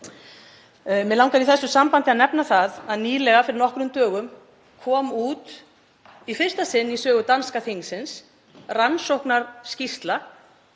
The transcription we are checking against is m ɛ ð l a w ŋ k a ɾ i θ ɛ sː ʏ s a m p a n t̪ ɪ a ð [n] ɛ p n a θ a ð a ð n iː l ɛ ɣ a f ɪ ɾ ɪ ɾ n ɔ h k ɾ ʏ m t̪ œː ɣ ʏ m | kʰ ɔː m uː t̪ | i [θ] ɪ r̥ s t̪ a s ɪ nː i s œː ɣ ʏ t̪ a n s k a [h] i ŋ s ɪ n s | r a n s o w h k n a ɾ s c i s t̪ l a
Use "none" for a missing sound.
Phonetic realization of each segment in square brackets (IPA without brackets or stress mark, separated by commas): n, f, θ